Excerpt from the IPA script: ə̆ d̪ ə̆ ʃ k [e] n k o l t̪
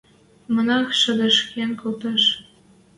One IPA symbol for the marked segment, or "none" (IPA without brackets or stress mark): e